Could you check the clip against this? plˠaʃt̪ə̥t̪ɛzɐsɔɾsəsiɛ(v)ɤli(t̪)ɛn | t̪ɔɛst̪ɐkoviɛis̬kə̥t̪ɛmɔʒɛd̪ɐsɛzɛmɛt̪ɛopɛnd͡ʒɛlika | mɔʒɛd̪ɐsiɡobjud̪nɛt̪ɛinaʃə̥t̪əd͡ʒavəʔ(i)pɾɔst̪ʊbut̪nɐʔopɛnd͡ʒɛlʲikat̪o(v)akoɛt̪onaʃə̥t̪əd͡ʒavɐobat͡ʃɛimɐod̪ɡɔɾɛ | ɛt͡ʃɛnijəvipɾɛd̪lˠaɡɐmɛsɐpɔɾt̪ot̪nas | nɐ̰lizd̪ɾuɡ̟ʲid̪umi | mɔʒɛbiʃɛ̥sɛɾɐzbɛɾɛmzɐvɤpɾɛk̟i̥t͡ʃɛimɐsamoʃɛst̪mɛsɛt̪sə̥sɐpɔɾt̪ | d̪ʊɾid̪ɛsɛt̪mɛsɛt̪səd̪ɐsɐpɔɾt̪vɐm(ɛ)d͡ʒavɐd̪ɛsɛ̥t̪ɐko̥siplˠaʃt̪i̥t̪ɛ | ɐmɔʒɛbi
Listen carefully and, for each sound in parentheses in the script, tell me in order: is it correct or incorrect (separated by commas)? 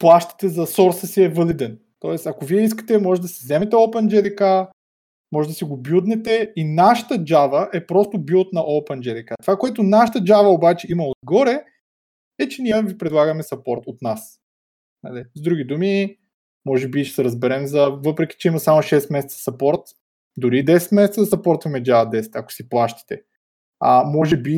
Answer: correct, incorrect, incorrect, correct, correct